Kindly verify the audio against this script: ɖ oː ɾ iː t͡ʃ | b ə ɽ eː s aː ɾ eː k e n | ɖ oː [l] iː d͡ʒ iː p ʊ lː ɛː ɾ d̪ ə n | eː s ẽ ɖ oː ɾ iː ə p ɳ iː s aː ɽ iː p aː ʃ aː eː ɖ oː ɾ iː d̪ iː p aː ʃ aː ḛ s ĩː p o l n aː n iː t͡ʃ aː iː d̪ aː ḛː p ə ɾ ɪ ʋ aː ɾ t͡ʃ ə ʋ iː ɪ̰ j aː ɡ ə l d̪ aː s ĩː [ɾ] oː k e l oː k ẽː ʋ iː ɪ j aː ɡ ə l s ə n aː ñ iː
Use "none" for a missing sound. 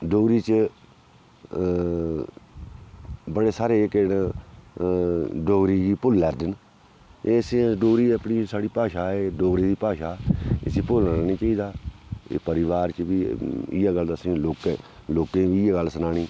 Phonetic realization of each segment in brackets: ɾ, l

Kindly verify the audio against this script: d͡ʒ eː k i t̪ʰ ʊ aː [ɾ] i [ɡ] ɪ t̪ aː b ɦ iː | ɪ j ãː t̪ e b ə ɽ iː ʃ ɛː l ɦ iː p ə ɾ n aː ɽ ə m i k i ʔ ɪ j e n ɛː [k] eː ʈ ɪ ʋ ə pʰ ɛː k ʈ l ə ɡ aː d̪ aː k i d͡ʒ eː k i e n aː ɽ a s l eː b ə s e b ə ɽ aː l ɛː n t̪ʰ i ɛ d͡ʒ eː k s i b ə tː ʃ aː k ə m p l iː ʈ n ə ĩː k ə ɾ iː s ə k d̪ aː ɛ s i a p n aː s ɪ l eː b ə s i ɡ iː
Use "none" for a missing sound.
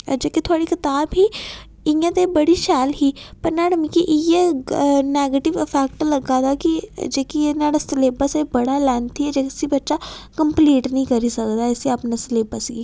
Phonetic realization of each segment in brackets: ɽ, k, ɡ

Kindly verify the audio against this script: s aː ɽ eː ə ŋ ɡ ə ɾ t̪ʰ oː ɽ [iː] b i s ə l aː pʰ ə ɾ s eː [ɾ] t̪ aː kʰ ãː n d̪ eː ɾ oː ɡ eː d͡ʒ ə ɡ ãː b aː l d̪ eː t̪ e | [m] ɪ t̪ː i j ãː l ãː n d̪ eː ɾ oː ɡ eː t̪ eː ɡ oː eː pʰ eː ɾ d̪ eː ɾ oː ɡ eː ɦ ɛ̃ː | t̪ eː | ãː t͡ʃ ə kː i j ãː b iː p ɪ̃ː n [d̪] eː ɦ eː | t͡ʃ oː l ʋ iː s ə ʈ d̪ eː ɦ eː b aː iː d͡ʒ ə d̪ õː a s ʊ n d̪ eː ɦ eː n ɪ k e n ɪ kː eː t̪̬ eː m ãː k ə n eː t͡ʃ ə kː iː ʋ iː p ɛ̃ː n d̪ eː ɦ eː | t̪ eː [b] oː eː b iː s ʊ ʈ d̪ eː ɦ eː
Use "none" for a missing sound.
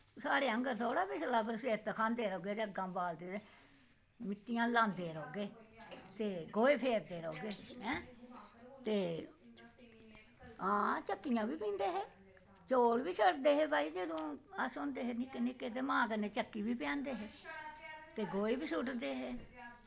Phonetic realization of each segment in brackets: aː, ɾ, m, d̪, ɡ

